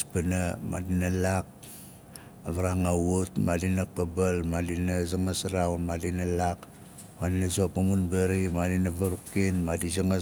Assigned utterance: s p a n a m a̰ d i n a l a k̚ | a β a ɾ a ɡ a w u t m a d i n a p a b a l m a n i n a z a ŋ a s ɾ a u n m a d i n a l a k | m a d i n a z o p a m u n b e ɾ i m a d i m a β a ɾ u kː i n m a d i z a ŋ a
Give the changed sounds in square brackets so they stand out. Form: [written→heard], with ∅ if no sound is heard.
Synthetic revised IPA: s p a n a m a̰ d i n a l a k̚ | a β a ɾ a [ɡ→ŋ] a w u t m a d i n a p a b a l m a [n→d] i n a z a ŋ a s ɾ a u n m a d i n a l a k | m a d i n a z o p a m u n b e ɾ i m a d i [m→n] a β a ɾ u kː i n m a d i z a ŋ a